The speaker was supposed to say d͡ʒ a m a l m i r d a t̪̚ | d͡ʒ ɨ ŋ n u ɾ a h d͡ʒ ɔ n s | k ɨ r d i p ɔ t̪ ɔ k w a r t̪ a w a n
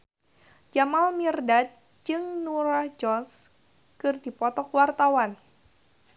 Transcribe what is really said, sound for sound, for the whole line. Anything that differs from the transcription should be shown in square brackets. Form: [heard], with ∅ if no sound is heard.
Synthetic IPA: d͡ʒ a m a l m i r d a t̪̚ | d͡ʒ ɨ ŋ n u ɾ a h d͡ʒ ɔ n s | k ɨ r d i p ɔ t̪ ɔ k w a r t̪ a w a n